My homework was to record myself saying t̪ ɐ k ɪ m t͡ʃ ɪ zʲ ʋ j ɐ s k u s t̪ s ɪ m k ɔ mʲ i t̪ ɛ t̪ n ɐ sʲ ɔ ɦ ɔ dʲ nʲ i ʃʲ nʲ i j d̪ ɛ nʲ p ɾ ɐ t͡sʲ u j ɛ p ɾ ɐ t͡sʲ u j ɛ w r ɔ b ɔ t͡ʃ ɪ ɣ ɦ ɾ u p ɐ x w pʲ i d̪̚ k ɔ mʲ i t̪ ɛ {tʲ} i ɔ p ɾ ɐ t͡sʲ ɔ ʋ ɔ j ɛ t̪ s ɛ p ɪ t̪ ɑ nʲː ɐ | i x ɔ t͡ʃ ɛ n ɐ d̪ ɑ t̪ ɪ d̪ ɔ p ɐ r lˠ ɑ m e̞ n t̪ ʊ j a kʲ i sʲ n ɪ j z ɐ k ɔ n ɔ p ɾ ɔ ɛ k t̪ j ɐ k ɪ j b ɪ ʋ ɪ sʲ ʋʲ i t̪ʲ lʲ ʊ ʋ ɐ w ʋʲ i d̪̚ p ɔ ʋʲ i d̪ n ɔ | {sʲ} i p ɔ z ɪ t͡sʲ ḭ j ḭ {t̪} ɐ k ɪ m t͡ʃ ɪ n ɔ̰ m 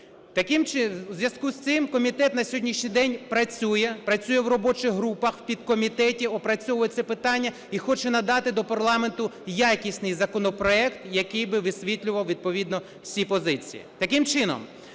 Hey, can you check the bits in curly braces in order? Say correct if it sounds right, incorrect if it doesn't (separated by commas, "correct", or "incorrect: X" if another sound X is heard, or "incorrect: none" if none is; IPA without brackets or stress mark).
correct, correct, correct